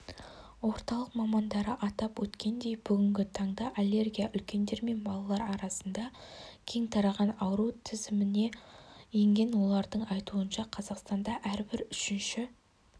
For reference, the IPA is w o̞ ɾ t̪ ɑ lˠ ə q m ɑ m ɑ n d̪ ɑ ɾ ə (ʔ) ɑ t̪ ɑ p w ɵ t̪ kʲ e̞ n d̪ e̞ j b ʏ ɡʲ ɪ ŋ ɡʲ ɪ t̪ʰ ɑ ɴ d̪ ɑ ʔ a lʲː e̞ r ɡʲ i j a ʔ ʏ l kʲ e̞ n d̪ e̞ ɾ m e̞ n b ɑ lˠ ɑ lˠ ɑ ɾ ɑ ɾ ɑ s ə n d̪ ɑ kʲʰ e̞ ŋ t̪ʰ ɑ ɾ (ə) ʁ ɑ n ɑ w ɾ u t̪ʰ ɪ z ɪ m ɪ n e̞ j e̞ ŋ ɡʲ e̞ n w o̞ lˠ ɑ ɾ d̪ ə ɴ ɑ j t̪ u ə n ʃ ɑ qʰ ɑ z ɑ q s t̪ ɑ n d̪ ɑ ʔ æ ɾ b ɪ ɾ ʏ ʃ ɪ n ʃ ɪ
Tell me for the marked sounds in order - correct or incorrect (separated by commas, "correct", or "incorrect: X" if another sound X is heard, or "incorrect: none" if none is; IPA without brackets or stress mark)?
correct, incorrect: ɑ